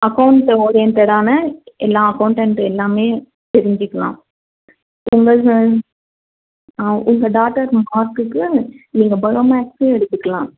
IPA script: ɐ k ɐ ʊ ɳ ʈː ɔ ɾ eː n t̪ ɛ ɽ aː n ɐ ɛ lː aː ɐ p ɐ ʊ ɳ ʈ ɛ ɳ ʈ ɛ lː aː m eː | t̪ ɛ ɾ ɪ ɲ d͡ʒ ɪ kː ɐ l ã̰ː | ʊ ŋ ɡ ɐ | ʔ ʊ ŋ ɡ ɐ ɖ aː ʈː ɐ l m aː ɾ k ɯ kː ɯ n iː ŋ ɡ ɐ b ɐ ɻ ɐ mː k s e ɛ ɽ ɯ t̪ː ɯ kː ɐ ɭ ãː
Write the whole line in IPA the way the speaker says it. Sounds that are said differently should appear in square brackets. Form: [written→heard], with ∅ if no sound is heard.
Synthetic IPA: ɐ k ɐ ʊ ɳ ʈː ɔ ɾ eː n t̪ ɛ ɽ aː n ɐ ɛ lː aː ɐ [p→k] ɐ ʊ ɳ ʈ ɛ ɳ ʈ ɛ lː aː m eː | t̪ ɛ ɾ ɪ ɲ d͡ʒ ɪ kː ɐ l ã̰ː | ʊ ŋ ɡ ɐ | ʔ ʊ ŋ ɡ ɐ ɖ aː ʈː ɐ [l→ɾ] m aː ɾ k ɯ kː ɯ n iː ŋ ɡ ɐ b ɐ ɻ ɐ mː k s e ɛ ɽ ɯ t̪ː ɯ kː ɐ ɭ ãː

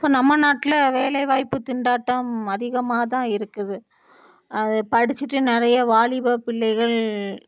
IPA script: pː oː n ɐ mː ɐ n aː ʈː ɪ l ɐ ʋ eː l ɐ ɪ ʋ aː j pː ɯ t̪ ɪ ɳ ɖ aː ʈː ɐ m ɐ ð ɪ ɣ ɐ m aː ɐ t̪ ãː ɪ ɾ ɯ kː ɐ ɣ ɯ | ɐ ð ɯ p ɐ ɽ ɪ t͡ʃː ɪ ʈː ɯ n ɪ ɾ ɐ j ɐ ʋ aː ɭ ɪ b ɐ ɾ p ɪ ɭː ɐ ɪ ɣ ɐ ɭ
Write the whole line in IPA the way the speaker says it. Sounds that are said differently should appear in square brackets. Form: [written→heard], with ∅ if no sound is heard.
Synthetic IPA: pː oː n ɐ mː ɐ n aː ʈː ɪ l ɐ ʋ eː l ɐ ɪ ʋ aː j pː ɯ t̪ ɪ ɳ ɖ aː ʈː ɐ m ɐ ð ɪ ɣ ɐ m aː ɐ t̪ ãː ɪ ɾ ɯ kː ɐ [ɣ→ð] ɯ | ɐ ð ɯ p ɐ ɽ ɪ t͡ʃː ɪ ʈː ɯ n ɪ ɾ ɐ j ɐ ʋ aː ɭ ɪ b ɐ [ɾ→∅] p ɪ ɭː ɐ ɪ ɣ ɐ ɭ

